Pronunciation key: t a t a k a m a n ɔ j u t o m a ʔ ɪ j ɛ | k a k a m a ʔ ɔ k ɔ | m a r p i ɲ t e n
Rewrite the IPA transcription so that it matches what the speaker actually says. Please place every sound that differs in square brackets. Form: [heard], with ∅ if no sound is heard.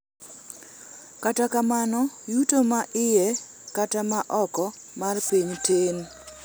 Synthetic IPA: [k] a t a k a m a n ɔ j u t o m a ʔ ɪ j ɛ | k a [t] a m a ʔ ɔ k ɔ | m a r p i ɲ t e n